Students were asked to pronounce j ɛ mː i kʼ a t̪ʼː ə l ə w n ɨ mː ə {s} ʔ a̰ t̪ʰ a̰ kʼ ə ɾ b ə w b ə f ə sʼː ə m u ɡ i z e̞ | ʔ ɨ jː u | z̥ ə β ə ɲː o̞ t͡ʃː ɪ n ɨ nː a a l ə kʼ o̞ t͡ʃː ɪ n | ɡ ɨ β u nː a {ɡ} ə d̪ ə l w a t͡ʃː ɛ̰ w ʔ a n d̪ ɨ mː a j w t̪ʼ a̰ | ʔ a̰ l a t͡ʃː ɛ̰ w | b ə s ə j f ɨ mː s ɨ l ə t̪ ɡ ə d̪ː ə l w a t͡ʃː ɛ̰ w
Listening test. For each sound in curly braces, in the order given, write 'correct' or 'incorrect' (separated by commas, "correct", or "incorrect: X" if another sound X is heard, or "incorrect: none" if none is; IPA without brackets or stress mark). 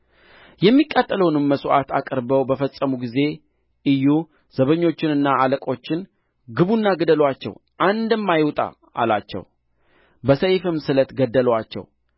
correct, correct